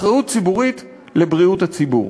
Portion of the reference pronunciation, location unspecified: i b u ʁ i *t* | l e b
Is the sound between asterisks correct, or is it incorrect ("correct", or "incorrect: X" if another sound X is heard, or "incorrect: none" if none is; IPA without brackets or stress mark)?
correct